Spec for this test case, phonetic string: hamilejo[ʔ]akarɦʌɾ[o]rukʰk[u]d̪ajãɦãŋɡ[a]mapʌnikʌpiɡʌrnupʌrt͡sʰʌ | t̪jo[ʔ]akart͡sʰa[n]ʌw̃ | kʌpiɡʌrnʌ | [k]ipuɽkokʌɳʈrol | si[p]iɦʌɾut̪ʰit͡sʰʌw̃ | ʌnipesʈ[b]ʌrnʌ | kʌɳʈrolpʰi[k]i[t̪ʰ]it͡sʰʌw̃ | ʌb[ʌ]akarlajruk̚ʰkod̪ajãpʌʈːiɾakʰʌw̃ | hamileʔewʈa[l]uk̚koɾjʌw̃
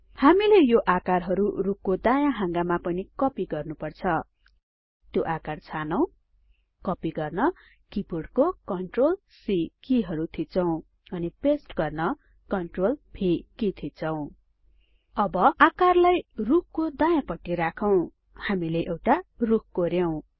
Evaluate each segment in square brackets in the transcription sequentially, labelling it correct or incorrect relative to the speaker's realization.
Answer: correct, incorrect: u, incorrect: o, correct, correct, correct, correct, incorrect: k, incorrect: ɡ, correct, correct, correct, incorrect: r

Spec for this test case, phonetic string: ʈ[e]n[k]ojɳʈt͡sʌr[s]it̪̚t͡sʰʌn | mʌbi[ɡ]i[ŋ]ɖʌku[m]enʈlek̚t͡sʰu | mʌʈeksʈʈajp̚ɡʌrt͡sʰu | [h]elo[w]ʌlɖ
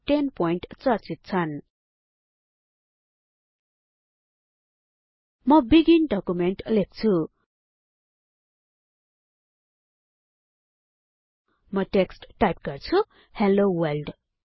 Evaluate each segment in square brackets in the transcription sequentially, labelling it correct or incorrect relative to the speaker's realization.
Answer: correct, incorrect: p, incorrect: t͡s, correct, incorrect: n, correct, correct, correct

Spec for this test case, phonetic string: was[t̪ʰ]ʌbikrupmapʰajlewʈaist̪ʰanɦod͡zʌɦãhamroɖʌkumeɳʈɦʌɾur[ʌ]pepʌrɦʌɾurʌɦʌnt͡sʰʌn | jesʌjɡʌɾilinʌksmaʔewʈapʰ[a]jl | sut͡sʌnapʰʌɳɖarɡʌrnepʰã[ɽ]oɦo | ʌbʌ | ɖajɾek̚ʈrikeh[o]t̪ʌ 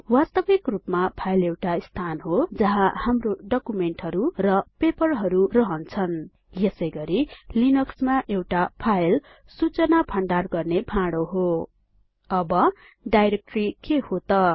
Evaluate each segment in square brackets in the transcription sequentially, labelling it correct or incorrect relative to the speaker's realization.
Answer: incorrect: t̪, correct, correct, correct, correct

